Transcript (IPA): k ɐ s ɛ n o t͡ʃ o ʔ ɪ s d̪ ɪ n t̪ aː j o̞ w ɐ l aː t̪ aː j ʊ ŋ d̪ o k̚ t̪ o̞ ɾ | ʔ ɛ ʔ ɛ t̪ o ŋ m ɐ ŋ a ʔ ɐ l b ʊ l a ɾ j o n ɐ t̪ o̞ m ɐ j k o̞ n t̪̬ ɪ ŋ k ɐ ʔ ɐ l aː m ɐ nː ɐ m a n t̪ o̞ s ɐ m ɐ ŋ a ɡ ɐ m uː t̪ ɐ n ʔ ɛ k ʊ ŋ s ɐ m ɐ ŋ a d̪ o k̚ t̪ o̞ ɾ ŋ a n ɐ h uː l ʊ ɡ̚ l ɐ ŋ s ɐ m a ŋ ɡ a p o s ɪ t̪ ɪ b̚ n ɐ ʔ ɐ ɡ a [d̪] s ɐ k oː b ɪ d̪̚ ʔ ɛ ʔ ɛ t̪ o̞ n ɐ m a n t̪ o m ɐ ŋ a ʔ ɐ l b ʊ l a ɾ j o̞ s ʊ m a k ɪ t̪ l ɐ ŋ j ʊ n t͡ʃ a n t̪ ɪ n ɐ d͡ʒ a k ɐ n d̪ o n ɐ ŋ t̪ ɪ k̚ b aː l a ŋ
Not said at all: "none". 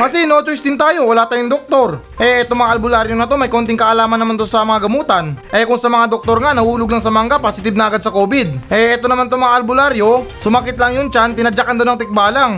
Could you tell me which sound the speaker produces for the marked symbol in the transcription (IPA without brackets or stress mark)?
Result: d̪